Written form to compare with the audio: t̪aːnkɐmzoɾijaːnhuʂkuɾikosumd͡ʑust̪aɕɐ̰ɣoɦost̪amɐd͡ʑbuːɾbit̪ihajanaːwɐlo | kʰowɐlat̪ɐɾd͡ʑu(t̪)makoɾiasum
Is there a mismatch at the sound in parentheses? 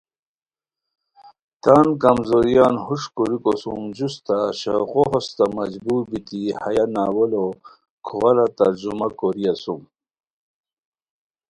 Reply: yes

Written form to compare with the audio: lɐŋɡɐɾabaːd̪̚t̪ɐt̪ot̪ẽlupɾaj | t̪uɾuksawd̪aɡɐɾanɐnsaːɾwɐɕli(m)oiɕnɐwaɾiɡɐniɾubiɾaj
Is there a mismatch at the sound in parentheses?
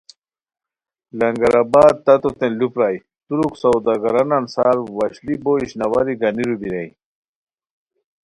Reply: yes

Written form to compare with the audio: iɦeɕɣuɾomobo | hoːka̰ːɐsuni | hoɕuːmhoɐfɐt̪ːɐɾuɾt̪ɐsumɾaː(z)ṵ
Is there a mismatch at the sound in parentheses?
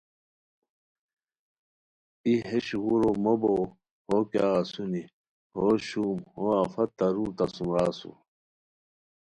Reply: yes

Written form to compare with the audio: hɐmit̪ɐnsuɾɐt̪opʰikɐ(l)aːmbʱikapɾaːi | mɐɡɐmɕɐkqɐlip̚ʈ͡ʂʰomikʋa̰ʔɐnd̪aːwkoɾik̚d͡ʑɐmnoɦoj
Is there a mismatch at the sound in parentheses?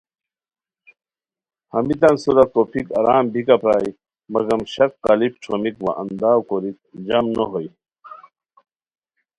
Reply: yes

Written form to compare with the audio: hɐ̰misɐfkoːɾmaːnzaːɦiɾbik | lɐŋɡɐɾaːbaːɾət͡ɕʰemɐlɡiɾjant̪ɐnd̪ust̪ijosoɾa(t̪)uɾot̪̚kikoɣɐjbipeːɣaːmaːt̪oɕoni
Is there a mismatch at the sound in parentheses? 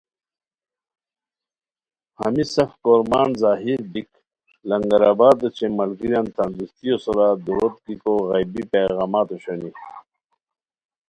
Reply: yes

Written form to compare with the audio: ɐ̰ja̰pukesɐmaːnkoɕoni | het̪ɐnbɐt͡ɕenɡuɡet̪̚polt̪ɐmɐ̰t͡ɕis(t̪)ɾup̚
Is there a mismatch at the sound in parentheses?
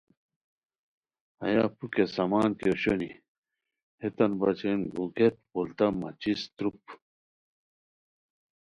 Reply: no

